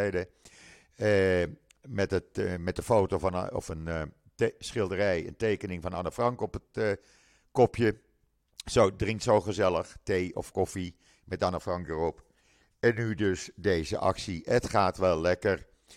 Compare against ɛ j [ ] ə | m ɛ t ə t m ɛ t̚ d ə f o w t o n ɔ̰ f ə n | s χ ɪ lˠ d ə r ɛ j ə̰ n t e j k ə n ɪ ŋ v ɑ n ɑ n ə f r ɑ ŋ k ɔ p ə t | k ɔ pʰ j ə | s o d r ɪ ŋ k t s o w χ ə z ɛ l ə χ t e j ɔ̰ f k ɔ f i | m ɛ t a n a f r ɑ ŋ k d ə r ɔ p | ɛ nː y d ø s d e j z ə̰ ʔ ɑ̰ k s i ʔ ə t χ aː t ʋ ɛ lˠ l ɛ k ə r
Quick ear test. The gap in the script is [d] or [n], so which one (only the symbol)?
d